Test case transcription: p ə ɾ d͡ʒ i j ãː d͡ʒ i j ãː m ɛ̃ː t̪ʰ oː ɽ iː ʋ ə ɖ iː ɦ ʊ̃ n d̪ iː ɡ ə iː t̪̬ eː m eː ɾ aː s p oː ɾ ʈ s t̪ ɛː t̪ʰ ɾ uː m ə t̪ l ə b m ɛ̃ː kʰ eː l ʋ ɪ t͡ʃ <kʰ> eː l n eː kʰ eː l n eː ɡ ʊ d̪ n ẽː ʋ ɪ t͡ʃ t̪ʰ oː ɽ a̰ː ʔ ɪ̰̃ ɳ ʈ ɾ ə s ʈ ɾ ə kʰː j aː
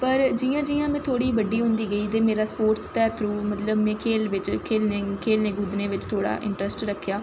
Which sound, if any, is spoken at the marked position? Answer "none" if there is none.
kʰ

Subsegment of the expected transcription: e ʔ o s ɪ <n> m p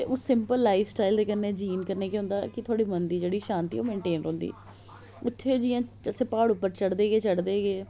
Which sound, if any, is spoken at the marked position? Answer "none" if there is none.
none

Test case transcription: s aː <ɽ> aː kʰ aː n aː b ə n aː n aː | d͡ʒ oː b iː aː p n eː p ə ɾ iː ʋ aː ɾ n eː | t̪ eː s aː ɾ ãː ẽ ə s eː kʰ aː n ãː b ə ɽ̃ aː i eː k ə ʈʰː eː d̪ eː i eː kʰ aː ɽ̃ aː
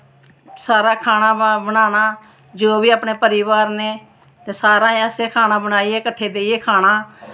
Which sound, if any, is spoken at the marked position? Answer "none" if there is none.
ɾ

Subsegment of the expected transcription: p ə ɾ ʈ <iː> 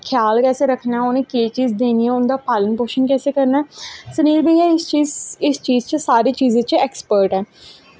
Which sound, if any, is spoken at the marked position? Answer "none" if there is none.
ɛː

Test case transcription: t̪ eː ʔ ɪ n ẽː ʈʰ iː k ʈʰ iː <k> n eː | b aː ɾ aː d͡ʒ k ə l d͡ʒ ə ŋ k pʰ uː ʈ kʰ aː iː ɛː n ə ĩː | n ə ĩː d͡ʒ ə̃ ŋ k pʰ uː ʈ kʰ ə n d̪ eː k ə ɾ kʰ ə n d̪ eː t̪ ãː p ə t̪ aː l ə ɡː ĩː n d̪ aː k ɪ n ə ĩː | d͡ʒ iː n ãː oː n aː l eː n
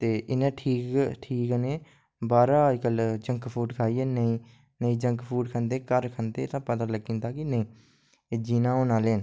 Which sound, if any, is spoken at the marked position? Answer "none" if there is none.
k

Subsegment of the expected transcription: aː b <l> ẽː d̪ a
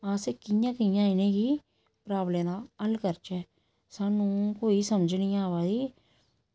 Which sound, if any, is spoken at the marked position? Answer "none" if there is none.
l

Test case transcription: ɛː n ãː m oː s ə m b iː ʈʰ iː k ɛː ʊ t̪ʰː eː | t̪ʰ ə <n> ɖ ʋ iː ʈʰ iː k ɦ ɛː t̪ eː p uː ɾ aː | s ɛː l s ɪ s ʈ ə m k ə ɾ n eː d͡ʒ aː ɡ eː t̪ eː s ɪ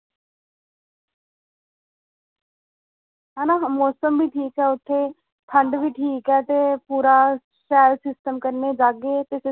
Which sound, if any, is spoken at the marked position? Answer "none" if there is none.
ɳ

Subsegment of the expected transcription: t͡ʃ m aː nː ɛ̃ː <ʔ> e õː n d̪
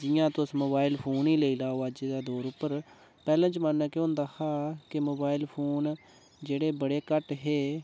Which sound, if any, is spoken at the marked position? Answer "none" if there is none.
k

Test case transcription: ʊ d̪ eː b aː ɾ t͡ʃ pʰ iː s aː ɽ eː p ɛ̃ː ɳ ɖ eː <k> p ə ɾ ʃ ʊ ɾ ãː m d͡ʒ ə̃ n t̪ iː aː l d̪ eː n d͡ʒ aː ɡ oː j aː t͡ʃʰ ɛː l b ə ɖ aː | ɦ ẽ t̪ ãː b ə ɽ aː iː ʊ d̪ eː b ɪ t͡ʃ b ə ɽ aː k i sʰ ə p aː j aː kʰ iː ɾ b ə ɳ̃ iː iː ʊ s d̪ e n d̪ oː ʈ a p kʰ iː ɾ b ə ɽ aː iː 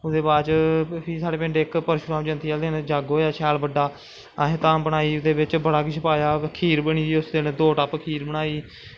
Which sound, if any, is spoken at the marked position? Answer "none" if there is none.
k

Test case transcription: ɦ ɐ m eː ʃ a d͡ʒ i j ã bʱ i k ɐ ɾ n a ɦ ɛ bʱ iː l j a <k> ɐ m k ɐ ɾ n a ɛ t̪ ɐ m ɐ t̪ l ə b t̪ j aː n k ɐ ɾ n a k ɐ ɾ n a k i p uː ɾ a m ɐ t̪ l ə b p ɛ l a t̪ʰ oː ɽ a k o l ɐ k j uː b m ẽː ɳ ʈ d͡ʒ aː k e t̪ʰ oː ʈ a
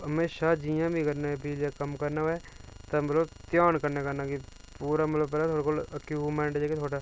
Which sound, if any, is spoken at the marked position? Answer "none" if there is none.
k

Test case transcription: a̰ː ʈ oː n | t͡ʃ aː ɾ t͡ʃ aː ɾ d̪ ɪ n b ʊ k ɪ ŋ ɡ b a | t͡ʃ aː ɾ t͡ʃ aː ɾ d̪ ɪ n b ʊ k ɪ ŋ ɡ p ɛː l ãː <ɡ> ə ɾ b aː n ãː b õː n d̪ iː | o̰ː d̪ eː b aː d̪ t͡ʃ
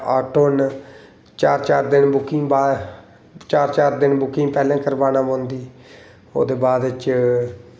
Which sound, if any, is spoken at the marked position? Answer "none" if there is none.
k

